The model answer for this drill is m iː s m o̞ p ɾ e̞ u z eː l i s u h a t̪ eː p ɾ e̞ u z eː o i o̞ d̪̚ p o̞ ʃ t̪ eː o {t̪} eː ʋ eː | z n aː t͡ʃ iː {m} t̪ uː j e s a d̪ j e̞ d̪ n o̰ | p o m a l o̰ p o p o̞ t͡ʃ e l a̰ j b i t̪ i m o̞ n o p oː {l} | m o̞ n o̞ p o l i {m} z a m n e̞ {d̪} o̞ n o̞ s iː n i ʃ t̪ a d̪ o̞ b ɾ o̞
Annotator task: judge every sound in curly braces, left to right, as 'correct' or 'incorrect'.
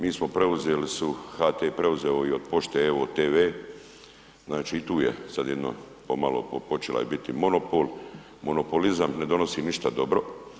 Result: correct, incorrect: none, correct, incorrect: none, correct

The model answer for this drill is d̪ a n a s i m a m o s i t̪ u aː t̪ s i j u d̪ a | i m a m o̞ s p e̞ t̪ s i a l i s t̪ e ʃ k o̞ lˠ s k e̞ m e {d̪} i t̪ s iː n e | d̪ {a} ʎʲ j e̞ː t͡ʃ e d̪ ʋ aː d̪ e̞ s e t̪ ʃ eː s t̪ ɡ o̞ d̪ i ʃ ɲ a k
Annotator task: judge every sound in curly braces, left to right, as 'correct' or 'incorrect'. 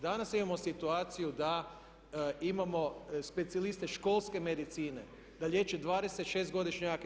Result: correct, correct

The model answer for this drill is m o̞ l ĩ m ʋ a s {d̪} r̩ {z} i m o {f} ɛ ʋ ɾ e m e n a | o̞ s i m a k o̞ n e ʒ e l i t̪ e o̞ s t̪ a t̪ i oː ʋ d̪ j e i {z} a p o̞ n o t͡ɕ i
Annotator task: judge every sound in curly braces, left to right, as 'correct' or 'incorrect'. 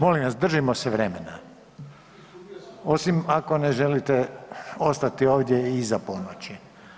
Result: correct, incorrect: ʒ, incorrect: s, correct

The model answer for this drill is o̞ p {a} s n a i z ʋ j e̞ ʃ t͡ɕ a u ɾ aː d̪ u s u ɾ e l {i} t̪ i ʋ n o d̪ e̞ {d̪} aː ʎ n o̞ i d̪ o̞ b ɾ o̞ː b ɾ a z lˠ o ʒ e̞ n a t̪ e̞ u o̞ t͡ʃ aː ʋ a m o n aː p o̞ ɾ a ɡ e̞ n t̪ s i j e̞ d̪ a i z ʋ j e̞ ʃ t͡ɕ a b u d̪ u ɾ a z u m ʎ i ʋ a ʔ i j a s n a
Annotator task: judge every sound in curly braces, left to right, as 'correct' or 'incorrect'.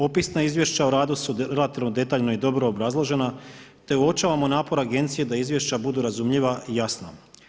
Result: incorrect: i, incorrect: a, incorrect: t̪

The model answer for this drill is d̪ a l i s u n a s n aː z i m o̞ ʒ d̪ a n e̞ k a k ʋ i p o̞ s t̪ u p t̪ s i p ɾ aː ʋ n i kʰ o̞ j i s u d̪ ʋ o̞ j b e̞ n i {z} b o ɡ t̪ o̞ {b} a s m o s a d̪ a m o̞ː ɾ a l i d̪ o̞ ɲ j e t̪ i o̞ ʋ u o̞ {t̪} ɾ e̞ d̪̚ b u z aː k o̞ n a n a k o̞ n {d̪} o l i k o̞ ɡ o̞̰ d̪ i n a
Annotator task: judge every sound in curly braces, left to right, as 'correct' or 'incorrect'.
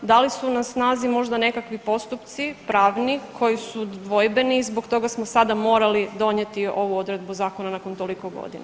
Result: correct, incorrect: ɡ, incorrect: d̪, incorrect: t̪

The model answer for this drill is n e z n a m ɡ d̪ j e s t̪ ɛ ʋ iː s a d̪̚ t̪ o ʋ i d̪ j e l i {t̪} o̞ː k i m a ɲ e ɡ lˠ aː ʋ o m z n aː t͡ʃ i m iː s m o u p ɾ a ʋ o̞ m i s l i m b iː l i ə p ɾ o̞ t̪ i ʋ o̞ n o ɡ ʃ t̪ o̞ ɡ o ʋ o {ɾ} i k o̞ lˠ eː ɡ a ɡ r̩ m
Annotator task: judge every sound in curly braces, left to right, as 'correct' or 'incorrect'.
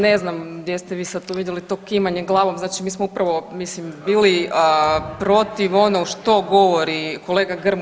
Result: correct, correct

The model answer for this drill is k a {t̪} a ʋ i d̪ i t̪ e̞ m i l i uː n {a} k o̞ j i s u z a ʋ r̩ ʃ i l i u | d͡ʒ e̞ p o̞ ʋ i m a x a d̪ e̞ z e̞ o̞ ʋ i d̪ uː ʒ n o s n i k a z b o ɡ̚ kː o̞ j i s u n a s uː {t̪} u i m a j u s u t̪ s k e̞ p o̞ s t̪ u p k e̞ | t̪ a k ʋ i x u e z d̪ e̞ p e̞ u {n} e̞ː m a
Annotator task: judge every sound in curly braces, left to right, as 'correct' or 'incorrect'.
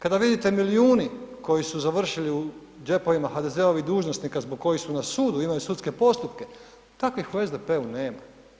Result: incorrect: d̪, incorrect: i, incorrect: d̪, correct

